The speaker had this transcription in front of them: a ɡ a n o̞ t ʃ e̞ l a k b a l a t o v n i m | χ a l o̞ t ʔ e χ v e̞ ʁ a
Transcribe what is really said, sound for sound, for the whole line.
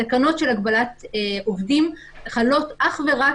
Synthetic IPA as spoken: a k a n o̞ t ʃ e̞ l a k b a l a t o v d i m | χ a l o̞ t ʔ a χ v e̞ ʁ a